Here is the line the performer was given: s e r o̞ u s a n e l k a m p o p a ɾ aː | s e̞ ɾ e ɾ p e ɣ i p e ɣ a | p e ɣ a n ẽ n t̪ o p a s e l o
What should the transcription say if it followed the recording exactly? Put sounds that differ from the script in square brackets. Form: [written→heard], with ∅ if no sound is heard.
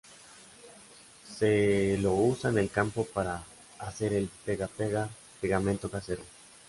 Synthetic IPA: s e [r→l] o̞ u s a n e l k a m p o p a ɾ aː | s e̞ ɾ e [ɾ→l] p e ɣ [i→a] p e ɣ a | p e ɣ a [n→m] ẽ n t̪ o [p→k] a s e [l→ɾ] o